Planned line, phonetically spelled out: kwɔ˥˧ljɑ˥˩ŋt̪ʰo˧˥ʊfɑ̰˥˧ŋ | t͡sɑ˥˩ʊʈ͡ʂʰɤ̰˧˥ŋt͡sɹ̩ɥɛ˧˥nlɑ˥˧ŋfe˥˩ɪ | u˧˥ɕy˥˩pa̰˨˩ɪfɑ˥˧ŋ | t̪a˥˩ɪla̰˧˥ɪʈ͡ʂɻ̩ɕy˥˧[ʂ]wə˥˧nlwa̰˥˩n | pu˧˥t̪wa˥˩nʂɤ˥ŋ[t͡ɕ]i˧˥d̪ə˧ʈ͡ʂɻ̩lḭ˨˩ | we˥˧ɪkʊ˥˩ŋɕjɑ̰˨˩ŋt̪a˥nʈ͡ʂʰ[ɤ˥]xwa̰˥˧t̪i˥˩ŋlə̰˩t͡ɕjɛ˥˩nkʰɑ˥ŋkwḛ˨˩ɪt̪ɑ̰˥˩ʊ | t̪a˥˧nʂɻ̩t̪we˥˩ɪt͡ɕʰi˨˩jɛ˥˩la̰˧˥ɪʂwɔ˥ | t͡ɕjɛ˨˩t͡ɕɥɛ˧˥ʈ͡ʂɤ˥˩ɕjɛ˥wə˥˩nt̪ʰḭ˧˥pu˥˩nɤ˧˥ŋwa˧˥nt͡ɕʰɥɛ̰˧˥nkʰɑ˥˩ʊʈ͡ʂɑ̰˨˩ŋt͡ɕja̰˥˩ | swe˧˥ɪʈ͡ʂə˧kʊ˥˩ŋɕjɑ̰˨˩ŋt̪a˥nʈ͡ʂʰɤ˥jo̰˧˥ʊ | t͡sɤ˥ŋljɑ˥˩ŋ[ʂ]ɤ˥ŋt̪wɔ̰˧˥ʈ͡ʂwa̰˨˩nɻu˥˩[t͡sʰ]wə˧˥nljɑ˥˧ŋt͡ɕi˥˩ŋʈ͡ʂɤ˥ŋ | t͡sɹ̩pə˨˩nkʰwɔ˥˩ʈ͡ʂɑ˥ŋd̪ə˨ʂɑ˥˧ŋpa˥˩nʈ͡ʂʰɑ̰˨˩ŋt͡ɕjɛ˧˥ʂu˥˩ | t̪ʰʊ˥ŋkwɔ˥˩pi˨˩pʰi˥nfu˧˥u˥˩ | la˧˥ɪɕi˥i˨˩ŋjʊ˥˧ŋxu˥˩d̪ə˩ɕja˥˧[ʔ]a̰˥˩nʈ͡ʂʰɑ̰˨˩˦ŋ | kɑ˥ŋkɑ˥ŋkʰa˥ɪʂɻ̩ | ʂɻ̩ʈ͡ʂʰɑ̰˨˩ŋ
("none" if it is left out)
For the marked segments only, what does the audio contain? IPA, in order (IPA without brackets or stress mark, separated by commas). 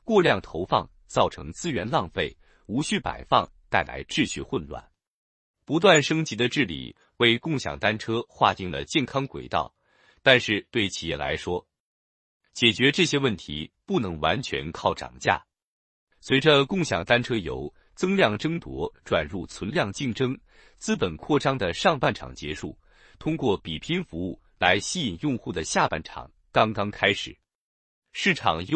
x, t͡ɕ, ɤ˥, ʈ͡ʂ, t͡sʰ, p